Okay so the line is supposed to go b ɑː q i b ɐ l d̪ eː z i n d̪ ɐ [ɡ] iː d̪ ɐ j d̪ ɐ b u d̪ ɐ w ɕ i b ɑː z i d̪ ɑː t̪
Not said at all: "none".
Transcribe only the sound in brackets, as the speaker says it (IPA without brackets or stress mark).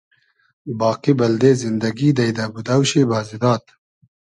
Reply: ɡ